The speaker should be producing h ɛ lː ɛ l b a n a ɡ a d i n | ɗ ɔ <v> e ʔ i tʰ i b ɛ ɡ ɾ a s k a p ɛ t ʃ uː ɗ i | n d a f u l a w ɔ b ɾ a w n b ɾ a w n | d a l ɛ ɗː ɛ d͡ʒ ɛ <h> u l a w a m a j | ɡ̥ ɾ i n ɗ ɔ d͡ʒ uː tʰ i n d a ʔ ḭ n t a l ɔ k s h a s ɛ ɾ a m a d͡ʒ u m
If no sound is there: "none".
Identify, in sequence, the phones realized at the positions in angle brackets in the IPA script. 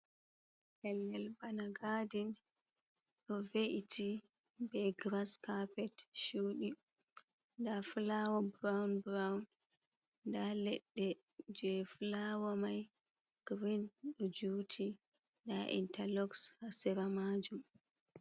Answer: v, f

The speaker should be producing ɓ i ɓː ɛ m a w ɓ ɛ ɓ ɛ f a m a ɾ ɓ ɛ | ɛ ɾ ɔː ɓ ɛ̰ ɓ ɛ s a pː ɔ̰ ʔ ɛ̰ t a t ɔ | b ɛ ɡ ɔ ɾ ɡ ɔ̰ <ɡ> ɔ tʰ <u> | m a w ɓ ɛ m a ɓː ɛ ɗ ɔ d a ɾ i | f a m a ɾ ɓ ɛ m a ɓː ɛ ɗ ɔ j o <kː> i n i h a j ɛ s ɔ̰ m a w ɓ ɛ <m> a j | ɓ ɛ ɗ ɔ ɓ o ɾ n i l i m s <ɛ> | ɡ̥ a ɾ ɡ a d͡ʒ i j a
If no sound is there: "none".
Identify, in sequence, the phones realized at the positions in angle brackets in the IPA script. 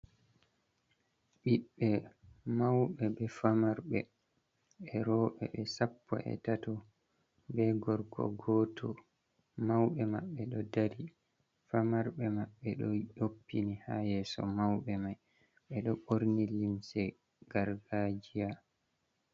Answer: ɡ, ɔ, pː, m, ɛ

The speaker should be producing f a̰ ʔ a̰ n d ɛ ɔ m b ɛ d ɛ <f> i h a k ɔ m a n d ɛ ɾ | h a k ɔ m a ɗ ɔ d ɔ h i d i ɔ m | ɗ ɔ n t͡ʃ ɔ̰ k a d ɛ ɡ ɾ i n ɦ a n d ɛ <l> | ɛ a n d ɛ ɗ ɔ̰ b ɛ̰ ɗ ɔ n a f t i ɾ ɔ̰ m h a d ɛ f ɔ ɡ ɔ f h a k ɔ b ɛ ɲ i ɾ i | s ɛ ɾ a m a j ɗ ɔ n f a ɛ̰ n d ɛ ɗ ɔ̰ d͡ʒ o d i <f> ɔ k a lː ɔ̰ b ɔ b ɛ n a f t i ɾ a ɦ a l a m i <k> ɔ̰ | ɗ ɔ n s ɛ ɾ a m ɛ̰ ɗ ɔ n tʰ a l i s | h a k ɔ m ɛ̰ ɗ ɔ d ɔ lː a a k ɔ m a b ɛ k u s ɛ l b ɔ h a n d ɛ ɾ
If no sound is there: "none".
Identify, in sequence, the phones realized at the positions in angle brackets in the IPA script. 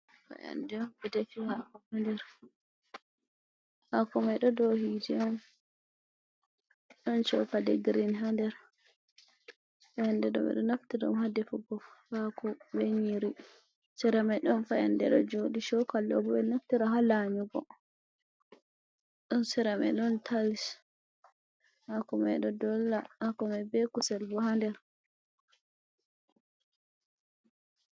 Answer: f, ɾ, ʃ, ɡ

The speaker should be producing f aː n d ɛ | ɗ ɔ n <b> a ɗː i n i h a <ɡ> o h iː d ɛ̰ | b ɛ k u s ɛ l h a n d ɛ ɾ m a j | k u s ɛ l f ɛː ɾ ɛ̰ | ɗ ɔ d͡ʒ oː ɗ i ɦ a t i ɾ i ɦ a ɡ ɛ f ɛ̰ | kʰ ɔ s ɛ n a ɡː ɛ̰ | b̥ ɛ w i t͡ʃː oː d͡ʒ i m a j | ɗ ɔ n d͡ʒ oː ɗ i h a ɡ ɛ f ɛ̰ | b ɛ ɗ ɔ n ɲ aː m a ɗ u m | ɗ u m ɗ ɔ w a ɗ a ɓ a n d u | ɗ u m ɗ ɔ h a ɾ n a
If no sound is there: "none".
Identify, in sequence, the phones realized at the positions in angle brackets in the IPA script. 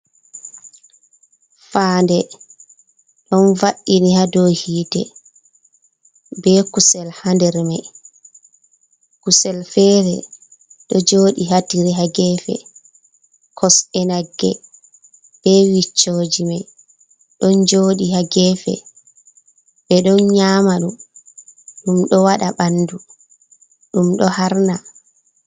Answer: v, d

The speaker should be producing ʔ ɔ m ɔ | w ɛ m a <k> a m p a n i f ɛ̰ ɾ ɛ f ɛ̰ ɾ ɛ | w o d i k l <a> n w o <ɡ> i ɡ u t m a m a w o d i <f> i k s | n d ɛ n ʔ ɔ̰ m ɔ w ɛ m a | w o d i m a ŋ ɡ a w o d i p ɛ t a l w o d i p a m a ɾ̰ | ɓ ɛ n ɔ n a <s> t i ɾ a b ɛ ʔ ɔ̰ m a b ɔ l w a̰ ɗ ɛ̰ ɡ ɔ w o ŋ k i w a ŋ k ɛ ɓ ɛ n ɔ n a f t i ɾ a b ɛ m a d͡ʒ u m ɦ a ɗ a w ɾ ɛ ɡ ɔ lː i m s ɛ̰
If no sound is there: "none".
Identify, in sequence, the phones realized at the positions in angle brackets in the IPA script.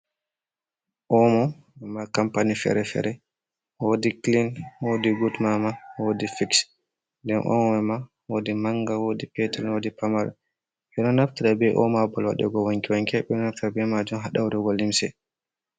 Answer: k, i, d, f, f

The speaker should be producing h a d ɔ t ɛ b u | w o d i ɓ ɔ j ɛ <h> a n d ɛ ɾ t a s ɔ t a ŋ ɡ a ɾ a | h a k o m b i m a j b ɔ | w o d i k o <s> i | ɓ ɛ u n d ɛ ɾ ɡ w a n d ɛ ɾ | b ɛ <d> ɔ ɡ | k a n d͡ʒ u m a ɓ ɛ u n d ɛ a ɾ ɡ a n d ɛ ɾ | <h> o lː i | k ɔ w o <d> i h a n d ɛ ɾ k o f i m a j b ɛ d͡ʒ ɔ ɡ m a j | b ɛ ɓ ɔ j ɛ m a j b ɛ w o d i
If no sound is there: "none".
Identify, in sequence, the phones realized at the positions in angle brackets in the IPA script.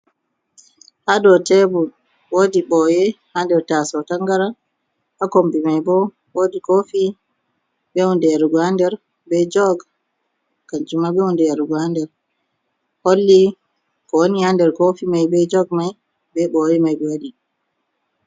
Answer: h, f, d͡ʒ, h, n

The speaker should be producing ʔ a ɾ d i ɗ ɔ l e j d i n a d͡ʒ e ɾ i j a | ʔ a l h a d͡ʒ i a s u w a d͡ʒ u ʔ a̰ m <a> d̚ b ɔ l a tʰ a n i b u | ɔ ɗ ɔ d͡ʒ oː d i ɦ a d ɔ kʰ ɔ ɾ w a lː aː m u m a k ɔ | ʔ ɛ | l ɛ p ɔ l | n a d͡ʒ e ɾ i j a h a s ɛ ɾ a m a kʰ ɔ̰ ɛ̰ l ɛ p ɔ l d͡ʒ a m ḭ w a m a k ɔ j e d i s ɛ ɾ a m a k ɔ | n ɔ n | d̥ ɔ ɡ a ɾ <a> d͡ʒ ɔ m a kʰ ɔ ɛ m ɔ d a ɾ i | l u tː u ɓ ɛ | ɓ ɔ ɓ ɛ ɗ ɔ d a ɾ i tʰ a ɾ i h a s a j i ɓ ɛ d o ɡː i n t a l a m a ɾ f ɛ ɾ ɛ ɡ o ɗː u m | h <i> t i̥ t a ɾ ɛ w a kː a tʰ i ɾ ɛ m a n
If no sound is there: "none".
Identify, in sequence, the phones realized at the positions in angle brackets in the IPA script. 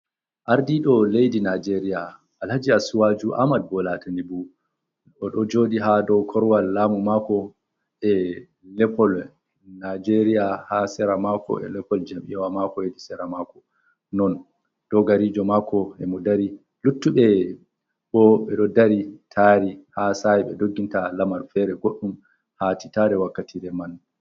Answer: a, i, a

